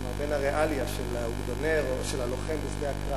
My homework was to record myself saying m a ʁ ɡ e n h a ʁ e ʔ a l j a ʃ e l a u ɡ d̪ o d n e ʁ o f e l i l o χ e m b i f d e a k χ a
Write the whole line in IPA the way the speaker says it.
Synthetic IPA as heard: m a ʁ b e n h a ʁ e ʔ a l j a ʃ e l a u ɡ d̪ o n e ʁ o ʃ e l a l o χ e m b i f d e a k ʁ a